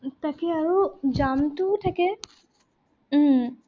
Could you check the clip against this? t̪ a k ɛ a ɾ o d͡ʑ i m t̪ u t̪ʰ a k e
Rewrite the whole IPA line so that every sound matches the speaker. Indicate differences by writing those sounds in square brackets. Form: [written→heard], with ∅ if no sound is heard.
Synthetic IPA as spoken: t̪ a k [ɛ→e] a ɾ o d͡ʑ [i→a] m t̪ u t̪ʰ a k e